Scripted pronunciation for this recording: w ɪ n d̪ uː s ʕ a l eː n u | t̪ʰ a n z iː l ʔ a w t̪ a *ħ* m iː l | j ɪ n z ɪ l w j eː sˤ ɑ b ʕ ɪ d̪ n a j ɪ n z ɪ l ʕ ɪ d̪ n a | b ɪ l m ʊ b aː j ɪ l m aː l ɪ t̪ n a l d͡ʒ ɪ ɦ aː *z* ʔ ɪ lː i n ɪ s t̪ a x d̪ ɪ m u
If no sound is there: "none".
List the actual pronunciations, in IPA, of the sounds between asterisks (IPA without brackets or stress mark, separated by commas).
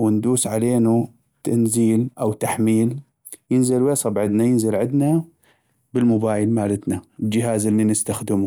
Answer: ħ, z